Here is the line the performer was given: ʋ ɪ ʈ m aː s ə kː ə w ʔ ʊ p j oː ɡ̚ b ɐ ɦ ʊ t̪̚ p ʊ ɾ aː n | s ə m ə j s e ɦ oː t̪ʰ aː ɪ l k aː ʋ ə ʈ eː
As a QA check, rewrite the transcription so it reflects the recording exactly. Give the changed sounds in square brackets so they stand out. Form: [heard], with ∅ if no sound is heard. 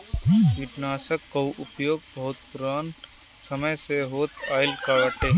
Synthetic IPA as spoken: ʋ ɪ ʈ [n] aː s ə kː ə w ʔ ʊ p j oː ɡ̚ b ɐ ɦ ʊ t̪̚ p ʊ ɾ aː n | s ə m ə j s e ɦ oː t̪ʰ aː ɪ l k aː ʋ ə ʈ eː